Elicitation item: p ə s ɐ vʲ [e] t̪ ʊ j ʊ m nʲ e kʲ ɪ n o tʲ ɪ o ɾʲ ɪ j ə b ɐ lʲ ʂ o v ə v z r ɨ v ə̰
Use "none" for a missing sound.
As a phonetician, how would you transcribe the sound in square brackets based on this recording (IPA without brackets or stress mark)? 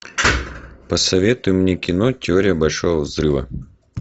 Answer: e